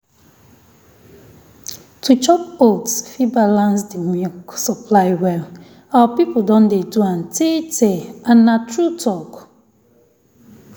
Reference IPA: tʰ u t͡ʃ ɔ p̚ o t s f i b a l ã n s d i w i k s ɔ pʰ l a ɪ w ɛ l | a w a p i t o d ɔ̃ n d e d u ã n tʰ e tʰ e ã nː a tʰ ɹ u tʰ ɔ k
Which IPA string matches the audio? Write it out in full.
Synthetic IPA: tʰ u t͡ʃ ɔ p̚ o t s f i b a l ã n s d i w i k s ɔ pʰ l a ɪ w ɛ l | a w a p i p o d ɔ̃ n d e d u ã n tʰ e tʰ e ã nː a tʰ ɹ u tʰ ɔ k